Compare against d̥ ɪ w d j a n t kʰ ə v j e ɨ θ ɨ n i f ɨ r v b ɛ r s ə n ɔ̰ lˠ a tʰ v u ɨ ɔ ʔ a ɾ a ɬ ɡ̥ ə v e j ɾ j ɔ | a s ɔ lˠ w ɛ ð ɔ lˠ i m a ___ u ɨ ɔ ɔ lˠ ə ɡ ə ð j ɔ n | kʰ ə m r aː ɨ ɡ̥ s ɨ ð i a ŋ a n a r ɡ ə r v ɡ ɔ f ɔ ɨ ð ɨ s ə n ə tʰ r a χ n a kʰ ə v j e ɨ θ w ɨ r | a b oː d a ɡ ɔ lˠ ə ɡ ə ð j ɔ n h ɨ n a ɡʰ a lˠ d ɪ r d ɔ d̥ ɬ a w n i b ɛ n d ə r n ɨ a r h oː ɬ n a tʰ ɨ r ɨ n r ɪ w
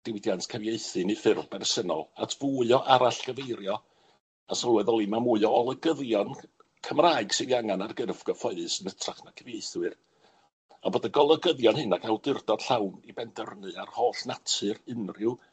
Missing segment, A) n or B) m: B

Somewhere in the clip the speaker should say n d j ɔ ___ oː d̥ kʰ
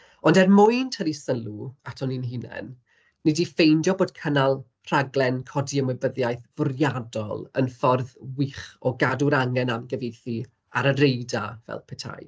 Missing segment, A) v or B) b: B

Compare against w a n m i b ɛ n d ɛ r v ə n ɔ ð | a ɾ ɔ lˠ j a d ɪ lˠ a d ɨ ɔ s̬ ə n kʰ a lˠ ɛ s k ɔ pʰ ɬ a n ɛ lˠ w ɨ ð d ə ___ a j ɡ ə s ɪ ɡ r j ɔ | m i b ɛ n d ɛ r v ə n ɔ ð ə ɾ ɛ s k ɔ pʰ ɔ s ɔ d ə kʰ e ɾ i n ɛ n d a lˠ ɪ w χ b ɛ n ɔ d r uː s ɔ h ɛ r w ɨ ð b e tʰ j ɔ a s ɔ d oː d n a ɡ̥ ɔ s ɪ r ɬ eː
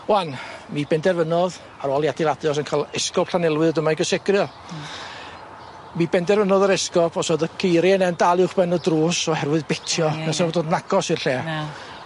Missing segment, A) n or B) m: B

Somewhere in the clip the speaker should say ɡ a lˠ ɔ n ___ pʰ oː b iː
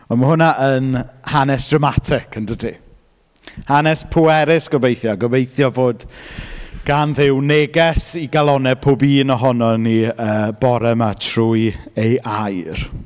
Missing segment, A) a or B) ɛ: B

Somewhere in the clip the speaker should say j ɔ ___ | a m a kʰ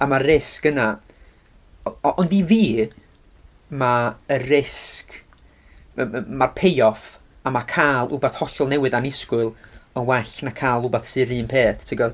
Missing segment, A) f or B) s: A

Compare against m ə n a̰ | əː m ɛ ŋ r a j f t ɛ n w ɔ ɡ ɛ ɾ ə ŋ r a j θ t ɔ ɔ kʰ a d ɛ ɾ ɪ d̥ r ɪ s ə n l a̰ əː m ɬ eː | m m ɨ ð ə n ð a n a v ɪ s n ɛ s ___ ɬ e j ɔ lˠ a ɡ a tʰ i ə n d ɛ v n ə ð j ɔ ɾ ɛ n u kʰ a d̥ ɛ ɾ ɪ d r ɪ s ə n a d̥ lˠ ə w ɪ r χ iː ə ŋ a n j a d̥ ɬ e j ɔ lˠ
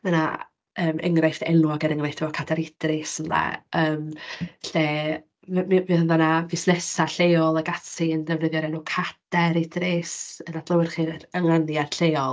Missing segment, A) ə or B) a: B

